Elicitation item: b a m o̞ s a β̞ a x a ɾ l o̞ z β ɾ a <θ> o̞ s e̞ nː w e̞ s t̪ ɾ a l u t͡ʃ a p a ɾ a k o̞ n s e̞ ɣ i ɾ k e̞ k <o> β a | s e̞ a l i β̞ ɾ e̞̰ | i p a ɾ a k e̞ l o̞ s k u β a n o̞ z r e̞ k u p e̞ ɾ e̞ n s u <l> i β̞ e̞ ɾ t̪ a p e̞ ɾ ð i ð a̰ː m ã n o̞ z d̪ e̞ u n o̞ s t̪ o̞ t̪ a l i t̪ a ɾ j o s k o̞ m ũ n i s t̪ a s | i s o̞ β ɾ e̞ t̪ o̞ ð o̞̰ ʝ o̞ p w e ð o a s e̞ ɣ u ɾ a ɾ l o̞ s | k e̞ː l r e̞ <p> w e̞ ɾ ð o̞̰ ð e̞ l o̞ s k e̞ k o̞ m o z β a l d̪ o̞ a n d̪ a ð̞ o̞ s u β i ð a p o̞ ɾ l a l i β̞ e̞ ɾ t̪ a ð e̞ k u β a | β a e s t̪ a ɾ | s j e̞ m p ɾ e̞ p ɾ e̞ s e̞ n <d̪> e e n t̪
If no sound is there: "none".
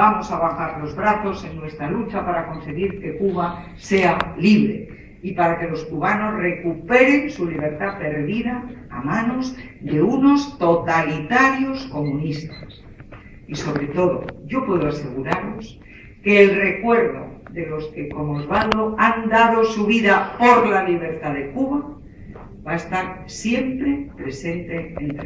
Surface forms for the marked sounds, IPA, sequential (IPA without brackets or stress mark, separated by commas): θ, u, l, k, t̪